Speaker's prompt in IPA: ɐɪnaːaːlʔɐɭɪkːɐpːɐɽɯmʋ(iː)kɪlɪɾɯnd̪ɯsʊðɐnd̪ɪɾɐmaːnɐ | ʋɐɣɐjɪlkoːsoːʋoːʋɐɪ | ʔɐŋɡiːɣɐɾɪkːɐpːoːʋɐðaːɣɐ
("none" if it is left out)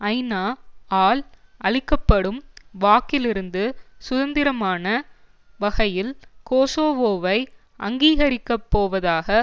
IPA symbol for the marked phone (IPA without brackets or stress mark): aː